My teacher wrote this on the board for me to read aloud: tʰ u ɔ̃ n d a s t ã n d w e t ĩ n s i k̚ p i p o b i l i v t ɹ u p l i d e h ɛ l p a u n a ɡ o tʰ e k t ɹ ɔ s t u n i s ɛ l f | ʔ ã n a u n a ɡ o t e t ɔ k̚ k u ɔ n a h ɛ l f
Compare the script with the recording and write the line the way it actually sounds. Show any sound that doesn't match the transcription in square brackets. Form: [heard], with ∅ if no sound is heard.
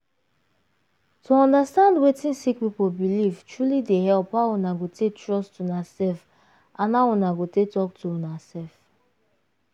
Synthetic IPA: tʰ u ɔ̃ n d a s t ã n d w e t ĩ n s i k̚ p i p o b i l i v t ɹ u [∅] l i d e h ɛ l p a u n a ɡ o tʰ e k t ɹ ɔ s t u n [a] s ɛ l f | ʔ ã n a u n a ɡ o t e t ɔ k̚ [t] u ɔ n a [s] ɛ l f